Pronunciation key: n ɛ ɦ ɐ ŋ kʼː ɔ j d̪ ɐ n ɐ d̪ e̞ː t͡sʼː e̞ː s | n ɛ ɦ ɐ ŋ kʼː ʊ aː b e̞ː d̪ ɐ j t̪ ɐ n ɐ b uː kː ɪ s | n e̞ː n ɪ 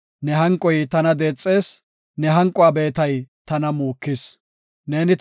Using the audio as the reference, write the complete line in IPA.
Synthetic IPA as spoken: n ɛ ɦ ɐ ŋ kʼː ɔ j t̪ ɐ n ɐ d̪ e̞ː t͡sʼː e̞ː s | n ɛ ɦ ɐ ŋ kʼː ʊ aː b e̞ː t̪ ɐ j t̪ ɐ n ɐ m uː kː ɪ s | n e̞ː n ɪ

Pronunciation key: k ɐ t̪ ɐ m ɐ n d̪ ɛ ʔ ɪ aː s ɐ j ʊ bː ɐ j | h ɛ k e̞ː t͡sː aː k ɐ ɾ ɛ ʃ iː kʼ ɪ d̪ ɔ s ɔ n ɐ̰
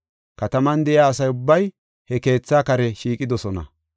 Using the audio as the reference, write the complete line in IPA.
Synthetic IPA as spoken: k ɐ t̪ ɐ m ɐ n d̪ ɛ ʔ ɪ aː s ɐ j ʊ bː ɐ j | h ɛ k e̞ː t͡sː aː k ɐ ɾ ɛ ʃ iː kʼ ɪ d̪ ɔ s ɔ n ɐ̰

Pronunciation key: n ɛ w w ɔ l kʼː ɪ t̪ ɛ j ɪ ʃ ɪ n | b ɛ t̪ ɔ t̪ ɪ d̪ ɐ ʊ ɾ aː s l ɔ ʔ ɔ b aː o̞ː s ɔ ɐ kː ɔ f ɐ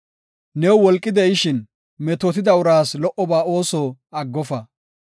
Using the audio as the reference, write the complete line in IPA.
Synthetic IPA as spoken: n ɛ w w ɔ l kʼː ɪ d̪ ɛ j ɪ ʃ ɪ n | m ɛ t̪ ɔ t̪ ɪ d̪ ɐ ʊ ɾ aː s l ɔ ʔ ɔ b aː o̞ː s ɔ ɐ ɡː ɔ f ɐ

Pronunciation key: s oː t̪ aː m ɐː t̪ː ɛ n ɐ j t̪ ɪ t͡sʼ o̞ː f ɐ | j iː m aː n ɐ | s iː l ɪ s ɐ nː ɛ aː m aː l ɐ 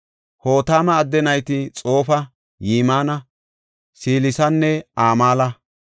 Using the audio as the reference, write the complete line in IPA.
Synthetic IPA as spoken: h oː t̪ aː m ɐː d̪ː ɛ n ɐ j t̪ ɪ t͡sʼ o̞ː f ɐ | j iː m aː n ɐ | s iː l ɪ s ɐ nː ɛ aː m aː l ɐ

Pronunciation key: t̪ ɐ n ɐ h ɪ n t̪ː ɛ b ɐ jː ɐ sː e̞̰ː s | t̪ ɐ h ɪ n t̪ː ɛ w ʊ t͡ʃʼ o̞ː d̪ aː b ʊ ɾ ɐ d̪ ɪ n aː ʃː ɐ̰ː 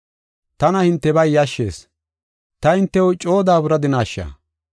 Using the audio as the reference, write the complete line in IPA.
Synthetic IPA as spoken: t̪ ɐ n ɐ h ɪ n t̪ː ɛ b ɐ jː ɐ ʃː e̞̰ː s | t̪ ɐ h ɪ n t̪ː ɛ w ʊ t͡ʃʼ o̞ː d̪ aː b ʊ ɾ ɐ d̪ ɪ n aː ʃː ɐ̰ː

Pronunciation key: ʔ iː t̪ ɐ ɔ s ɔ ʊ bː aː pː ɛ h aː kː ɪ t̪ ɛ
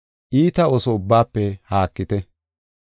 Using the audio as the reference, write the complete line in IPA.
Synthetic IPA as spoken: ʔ iː t̪ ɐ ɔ s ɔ ʊ bː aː pː ɛ h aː kː ɪ t̪ ɛ

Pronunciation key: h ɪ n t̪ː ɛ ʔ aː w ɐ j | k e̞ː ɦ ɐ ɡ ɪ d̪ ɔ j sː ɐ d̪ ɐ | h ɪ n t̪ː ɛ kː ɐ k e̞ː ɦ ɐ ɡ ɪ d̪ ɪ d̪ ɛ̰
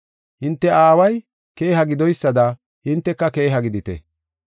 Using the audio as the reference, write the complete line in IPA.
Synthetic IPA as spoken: h ɪ n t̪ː ɛ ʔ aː w ɐ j | k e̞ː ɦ ɐ ɡ ɪ d̪ ɔ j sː ɐ d̪ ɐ | h ɪ n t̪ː ɛ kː ɐ k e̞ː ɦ ɐ ɡ ɪ d̪ ɪ t̪ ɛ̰

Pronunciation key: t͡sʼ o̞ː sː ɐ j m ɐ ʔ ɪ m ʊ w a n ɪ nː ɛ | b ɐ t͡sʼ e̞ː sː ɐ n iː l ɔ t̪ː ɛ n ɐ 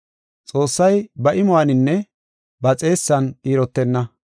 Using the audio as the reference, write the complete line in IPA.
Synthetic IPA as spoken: t͡sʼ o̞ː sː ɐ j b ɐ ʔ ɪ m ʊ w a n ɪ nː ɛ | b ɐ t͡sʼ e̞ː sː ɐ n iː ɾ ɔ t̪ː ɛ nː ɐ

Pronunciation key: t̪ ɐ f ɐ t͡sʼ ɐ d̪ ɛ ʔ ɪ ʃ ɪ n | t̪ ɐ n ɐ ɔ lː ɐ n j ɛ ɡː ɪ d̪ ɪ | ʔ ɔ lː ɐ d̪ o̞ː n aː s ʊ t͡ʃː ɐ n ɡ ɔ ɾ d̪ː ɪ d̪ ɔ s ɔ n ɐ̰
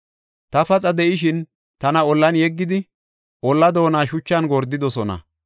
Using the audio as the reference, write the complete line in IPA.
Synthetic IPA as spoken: t̪ ɐ f ɐ t͡sʼ ɐ d̪ ɛ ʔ ɪ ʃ ɪ n | t̪ ɐ n ɐ ɔ lː ɐ n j ɛ ɡː ɪ d̪ ɪ | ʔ ɔ lː ɐ d̪ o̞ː n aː ʃ ʊ t͡ʃː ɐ n ɡ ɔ ɾ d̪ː ɪ d̪ ɔ s ɔ n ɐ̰

